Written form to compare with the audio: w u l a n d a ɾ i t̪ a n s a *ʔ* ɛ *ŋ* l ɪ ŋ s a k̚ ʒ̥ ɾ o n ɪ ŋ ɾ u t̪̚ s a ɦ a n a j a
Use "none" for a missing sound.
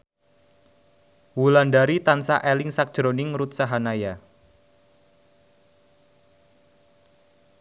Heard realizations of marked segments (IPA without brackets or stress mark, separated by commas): ʔ, none